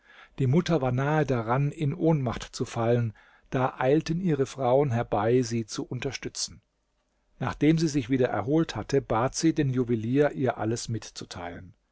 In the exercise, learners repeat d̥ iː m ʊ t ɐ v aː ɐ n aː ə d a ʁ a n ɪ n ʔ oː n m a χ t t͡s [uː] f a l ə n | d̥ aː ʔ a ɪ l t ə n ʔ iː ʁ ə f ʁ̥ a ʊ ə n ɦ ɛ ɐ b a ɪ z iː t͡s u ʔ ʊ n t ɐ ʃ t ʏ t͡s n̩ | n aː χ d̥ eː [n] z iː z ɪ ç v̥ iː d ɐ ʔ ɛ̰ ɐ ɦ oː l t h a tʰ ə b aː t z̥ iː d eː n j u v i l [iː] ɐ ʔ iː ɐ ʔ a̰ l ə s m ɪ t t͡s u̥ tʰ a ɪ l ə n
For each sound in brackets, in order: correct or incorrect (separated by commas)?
incorrect, incorrect, correct